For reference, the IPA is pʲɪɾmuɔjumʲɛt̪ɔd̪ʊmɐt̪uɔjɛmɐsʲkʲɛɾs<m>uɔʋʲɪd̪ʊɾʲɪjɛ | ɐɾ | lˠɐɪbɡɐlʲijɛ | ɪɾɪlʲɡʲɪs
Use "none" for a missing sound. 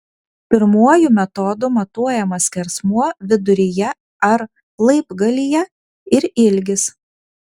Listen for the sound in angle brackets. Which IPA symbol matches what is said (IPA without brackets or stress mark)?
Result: m